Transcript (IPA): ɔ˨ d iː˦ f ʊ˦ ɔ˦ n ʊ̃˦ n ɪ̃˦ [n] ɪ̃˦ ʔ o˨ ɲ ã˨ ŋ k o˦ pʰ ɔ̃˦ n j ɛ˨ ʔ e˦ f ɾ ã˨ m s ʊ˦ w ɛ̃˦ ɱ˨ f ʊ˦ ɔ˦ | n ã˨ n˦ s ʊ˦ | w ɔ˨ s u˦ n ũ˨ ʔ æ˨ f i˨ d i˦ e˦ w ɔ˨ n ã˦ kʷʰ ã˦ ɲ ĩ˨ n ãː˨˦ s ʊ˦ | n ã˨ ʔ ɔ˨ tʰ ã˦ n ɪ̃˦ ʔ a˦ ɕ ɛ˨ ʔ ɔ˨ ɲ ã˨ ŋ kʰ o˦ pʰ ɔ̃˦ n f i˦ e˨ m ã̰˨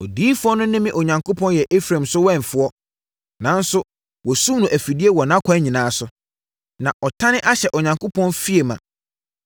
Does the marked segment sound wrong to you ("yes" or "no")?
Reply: yes